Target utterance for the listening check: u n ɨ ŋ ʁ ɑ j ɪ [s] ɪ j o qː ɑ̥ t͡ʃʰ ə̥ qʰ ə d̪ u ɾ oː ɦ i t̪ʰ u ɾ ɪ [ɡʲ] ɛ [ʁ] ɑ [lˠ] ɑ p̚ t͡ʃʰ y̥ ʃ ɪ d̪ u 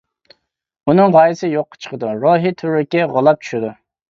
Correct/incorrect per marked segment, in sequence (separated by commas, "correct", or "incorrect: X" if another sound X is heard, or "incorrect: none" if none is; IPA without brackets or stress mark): correct, incorrect: kʲ, correct, correct